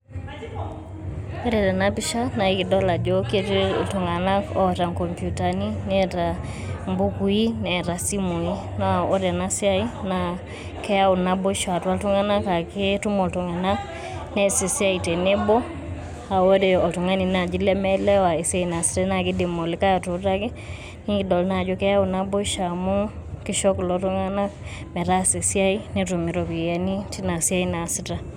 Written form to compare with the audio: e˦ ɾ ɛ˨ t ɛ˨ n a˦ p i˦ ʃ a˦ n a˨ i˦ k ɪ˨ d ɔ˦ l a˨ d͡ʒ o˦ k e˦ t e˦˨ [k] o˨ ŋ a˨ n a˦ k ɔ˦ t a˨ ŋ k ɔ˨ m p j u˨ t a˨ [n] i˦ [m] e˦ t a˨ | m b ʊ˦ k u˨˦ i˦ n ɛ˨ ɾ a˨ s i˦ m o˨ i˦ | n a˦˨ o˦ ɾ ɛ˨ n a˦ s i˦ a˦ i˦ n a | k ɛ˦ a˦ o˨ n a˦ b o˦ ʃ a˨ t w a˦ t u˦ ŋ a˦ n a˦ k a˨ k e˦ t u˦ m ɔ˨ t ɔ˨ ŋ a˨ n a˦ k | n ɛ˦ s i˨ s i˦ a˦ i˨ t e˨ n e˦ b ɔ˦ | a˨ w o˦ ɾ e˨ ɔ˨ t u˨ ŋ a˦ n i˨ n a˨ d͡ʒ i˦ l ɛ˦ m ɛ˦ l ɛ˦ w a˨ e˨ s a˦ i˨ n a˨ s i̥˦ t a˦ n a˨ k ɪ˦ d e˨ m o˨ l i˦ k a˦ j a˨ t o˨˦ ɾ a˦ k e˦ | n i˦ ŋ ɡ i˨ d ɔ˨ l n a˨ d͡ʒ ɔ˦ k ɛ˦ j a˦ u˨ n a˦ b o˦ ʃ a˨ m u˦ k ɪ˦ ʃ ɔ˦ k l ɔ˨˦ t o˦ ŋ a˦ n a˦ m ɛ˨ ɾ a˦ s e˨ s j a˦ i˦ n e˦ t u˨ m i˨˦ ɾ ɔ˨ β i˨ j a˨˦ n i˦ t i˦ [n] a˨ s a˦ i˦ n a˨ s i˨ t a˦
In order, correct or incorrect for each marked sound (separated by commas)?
incorrect, correct, incorrect, correct